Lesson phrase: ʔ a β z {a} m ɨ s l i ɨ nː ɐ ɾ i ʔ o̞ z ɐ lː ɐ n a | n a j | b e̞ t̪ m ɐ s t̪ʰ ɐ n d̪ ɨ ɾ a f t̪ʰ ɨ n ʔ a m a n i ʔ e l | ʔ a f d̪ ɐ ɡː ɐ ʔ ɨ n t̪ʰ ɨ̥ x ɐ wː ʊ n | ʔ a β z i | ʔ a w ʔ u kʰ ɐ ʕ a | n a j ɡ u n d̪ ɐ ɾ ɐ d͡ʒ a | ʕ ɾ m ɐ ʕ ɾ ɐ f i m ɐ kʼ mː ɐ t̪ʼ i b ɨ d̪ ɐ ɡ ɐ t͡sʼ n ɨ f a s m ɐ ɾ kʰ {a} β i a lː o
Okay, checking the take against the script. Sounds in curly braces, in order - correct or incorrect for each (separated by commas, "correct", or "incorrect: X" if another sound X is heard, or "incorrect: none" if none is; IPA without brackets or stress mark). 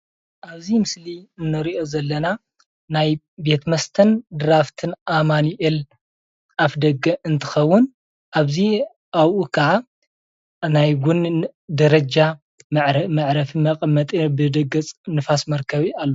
incorrect: i, incorrect: ɐ